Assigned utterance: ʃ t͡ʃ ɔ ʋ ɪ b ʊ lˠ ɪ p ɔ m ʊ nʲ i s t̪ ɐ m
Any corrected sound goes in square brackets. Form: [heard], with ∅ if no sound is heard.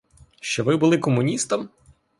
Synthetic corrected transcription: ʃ t͡ʃ ɔ ʋ ɪ b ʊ lˠ ɪ [k] ɔ m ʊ nʲ i s t̪ ɐ m